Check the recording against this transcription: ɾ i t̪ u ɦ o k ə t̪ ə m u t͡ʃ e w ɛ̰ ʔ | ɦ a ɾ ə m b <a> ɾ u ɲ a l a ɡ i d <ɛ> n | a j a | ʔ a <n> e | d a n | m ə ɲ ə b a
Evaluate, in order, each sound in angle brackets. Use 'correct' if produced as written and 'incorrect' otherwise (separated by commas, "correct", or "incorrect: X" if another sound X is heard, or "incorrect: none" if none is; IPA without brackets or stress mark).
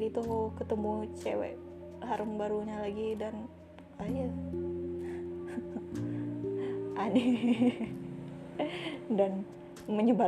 correct, incorrect: a, correct